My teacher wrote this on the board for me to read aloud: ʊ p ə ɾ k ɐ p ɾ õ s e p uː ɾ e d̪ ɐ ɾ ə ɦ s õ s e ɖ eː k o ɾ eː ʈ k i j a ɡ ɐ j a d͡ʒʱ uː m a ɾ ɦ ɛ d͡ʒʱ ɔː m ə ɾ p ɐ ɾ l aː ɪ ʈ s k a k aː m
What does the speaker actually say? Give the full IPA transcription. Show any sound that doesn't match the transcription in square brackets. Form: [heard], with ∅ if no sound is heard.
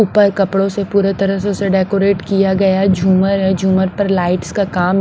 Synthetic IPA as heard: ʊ p ə ɾ k ɐ p [ɽ] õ s e p uː ɾ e [t̪] ɐ ɾ ə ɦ s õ s e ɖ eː k o ɾ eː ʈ k i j a ɡ ɐ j a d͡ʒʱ uː m [ə] ɾ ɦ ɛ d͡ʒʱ [uː] m ə ɾ p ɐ ɾ l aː ɪ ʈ s k a k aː m